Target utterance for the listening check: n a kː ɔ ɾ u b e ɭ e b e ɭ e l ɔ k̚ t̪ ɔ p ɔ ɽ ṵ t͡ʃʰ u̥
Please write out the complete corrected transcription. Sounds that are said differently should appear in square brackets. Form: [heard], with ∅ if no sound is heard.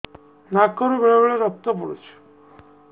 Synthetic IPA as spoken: n a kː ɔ ɾ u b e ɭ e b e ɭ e [ɾ] ɔ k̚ t̪ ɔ p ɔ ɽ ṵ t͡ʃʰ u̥